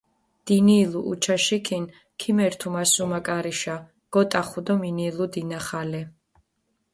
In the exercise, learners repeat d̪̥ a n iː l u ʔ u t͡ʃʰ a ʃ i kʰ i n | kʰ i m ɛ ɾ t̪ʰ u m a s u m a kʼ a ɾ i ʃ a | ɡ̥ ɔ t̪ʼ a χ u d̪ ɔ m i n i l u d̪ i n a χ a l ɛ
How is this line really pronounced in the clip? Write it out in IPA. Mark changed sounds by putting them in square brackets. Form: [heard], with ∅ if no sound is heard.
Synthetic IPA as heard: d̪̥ [i] n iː l u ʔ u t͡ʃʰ a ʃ i kʰ i n | kʰ i m ɛ ɾ t̪ʰ u m a s u m a kʼ a ɾ i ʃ a | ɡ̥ ɔ t̪ʼ a χ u d̪ ɔ m i n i l u d̪ i n a χ a l ɛ